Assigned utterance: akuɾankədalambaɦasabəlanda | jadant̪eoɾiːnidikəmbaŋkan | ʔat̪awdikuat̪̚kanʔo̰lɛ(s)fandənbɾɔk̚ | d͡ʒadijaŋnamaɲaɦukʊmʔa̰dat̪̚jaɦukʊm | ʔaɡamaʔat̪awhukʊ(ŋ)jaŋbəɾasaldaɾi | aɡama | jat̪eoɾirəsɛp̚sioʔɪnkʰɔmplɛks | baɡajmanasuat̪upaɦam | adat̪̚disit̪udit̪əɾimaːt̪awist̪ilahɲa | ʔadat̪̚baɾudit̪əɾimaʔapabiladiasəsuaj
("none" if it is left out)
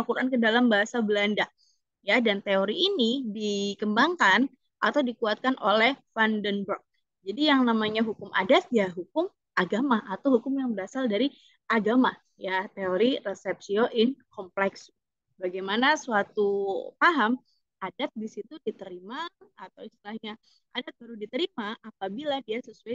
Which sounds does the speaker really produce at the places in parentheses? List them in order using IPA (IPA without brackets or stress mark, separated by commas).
h, m